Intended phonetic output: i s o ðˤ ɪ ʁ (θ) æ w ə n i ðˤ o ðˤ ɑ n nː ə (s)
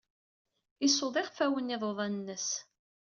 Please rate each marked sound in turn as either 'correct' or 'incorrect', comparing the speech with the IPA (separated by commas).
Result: incorrect, correct